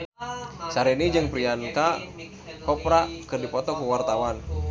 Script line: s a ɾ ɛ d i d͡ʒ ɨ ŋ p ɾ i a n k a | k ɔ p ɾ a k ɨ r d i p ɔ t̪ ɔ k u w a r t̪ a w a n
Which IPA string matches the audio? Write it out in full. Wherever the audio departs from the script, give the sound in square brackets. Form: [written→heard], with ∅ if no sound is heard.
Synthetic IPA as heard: s a ɾ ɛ [d→n] i d͡ʒ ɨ ŋ p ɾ i a n k a | k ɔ p ɾ a k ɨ r d i p ɔ t̪ ɔ k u w a r t̪ a w a n